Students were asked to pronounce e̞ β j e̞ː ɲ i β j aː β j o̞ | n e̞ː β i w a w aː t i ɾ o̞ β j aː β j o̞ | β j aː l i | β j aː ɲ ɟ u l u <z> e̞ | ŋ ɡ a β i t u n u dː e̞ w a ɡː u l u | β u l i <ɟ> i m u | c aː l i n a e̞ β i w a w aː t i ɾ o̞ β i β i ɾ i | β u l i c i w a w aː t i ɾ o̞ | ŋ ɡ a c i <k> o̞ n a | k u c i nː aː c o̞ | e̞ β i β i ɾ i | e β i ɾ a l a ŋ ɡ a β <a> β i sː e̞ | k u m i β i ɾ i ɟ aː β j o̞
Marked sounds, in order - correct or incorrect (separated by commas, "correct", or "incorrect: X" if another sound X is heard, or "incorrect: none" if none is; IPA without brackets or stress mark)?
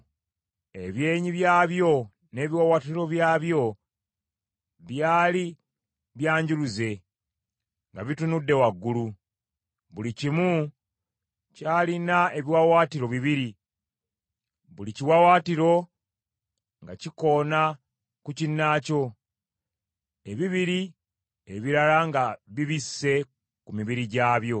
correct, incorrect: c, correct, incorrect: i